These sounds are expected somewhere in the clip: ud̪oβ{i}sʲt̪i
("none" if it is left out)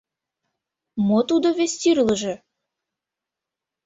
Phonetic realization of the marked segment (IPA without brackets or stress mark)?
e